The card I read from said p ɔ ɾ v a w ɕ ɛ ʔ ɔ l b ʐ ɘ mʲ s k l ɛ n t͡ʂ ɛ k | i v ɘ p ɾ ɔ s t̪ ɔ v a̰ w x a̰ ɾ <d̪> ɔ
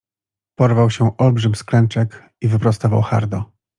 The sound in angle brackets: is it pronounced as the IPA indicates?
yes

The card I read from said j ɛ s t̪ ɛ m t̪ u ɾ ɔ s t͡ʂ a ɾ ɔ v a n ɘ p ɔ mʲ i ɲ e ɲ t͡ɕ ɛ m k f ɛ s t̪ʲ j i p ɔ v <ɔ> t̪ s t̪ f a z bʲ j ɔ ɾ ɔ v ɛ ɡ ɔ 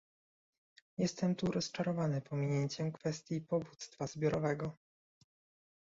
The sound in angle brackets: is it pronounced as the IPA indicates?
no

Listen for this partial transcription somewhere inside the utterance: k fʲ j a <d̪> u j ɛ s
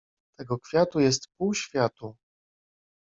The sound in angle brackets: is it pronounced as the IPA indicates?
no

